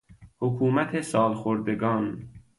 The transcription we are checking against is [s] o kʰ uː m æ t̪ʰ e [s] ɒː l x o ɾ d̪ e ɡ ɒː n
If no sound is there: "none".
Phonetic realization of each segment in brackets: h, s

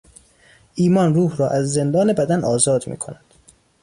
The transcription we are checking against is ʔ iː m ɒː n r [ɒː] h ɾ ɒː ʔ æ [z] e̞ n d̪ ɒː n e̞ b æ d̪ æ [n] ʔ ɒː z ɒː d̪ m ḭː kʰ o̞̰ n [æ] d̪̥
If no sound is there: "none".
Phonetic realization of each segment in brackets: uː, zː, n, æ

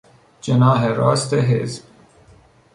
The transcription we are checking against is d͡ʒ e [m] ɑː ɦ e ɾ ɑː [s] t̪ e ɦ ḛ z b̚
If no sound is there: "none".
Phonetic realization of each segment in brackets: n, s

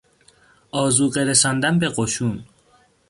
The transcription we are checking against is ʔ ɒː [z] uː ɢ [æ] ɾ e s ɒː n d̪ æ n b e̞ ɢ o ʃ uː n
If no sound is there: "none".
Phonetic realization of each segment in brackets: z, e

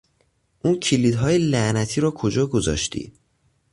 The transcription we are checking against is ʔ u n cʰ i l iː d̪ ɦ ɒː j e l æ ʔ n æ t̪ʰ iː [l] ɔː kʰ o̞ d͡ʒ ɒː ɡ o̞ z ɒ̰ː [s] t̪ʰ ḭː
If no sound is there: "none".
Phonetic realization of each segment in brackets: ɾ, ʃ

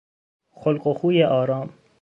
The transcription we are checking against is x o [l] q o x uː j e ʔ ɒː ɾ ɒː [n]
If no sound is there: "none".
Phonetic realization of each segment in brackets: l, m

